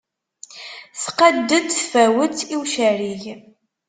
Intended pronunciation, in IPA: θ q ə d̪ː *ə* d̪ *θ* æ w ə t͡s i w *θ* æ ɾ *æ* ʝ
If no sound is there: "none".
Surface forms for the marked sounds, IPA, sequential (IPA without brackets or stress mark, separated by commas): ə, f, ʃ, i